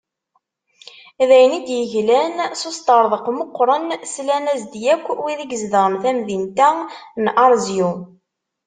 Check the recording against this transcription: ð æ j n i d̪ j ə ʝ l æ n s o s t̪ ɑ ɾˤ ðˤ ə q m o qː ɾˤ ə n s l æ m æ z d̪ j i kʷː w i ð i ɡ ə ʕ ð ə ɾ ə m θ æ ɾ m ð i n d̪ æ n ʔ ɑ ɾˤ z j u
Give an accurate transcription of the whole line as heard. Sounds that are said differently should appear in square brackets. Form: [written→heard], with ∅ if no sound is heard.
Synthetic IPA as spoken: ð æ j n i d̪ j ə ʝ l æ n s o s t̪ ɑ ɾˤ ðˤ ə q m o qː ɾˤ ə n s l æ [m→n] æ z d̪ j [i→æ] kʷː w i ð i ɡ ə [ʕ→z] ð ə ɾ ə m θ æ [ɾ→∅] m ð i n [d̪→t̪] æ n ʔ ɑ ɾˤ z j u